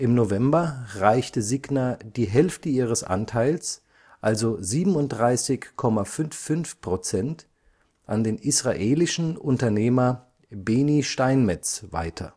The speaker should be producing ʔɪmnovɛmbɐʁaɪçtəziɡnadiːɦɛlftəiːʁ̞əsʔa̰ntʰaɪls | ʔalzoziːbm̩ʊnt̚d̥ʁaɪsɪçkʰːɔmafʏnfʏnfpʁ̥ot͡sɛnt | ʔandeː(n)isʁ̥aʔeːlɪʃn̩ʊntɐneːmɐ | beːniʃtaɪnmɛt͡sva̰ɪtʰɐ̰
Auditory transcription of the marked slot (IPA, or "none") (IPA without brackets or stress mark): n